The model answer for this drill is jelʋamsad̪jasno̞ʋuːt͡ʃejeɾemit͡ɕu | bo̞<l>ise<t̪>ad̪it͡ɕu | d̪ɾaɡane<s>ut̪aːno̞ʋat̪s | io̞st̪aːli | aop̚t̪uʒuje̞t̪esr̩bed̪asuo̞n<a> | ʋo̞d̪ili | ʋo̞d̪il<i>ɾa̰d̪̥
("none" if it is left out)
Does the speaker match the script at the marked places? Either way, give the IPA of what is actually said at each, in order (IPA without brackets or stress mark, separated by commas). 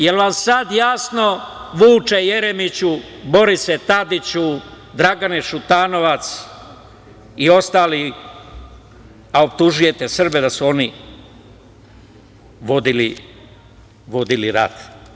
ɾ, t̪, ʃ, i, i